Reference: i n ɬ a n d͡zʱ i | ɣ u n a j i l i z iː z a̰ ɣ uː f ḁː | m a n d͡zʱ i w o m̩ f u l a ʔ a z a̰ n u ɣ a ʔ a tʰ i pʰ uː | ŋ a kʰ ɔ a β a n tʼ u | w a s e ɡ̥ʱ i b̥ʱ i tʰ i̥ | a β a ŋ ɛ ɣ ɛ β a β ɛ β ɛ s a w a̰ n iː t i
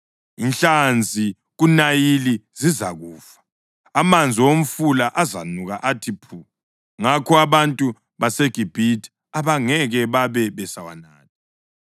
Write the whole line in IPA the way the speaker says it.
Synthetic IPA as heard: i n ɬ a n d͡zʱ i | ɣ u n a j i l i z i z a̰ ɣ uː f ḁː | m a n d͡zʱ i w o m̩ f u l a ʔ a z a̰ n u ɣ a ʔ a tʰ i pʰ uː | ŋ a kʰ ɔ a β a n tʼ u | β a s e ɡ̥ʱ i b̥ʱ i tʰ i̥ | a β a ŋ ɛ ɣ ɛ β a β ɛ β ɛ s a w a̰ n aː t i